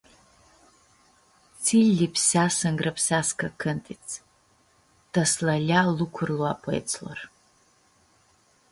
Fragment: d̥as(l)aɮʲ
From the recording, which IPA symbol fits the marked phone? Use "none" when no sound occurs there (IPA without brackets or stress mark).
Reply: l